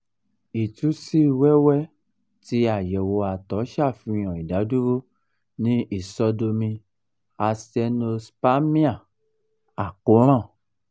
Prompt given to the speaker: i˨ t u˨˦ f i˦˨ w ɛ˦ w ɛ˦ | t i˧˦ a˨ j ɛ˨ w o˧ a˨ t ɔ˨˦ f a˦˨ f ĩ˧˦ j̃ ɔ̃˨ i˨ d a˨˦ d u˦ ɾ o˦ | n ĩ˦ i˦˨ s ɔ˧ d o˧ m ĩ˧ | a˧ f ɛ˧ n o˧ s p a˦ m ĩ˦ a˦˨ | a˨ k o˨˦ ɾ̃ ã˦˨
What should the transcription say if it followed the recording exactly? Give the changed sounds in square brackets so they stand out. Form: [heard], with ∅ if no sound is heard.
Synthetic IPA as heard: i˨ t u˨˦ [s] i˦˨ w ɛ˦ w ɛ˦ | t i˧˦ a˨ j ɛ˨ w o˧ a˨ t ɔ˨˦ [ʃ] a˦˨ f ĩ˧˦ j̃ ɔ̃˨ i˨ d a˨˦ d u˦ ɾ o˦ | n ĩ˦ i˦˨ s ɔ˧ d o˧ m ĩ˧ | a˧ [s] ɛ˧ n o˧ s p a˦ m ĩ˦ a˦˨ | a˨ k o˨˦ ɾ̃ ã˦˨